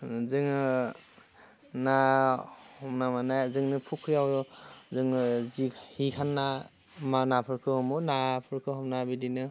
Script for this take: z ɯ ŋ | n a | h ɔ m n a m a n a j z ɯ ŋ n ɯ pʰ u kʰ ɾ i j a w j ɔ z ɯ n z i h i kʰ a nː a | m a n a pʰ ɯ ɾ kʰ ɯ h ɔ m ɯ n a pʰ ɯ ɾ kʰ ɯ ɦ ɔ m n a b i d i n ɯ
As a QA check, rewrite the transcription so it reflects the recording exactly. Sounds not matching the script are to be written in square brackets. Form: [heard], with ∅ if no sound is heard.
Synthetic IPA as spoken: z ɯ ŋ | n a | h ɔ m n a m a n a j z ɯ ŋ n ɯ pʰ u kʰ ɾ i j a w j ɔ z ɯ [ŋ] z i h i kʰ a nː a | m a n a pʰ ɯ ɾ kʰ ɯ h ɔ m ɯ n a pʰ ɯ ɾ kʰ ɯ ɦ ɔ m n a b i d i n ɯ